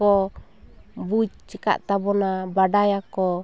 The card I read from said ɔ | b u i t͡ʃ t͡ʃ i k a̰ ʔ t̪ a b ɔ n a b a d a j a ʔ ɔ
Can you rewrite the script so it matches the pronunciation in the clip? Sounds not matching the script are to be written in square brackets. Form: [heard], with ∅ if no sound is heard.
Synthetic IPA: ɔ | b u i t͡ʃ t͡ʃ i k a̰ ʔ t̪ a b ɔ n a b a d a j a [k] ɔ